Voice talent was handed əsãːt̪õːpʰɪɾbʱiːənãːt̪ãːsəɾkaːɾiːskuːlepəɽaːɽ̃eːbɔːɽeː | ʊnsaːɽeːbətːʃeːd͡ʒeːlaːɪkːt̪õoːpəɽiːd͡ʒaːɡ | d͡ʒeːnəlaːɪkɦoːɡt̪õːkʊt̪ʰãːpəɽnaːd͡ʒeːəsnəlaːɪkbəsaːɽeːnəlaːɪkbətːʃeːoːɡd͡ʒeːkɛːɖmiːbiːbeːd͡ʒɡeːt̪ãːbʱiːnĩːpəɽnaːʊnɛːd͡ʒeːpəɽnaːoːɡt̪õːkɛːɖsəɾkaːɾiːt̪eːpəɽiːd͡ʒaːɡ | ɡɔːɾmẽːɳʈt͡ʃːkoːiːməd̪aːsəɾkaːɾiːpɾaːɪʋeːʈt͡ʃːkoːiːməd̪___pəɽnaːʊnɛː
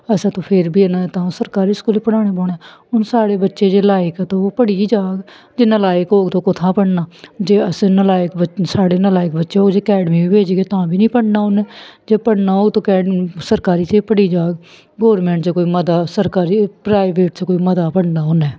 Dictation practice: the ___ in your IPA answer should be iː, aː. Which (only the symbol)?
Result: aː